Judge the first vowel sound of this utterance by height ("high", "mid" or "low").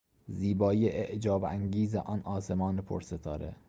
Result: high